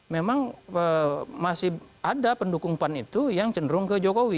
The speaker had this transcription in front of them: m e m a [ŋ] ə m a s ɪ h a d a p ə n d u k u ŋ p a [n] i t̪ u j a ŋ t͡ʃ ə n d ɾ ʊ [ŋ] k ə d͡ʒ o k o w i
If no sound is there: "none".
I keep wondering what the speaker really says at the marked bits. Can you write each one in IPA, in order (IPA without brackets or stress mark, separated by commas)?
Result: ŋ, n, ŋ